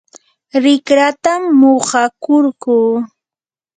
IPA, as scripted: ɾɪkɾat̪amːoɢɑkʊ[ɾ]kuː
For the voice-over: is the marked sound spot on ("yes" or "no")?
yes